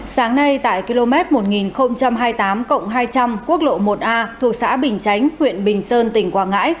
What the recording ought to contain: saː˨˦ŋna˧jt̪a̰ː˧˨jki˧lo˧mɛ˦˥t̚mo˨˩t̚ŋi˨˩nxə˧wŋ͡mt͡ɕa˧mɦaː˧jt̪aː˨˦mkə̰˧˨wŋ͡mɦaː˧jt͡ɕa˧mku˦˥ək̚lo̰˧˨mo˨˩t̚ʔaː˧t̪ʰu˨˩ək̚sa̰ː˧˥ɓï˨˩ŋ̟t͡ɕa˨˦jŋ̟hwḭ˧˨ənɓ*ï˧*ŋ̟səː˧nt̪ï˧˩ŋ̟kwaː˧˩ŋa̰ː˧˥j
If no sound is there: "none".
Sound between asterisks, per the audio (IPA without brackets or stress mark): ï˨˩